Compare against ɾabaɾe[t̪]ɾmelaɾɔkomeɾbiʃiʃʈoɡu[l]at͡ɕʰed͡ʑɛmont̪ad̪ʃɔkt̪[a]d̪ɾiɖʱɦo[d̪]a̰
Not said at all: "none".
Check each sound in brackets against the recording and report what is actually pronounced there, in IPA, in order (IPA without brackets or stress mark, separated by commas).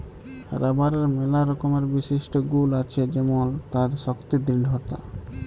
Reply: none, l, i, t̪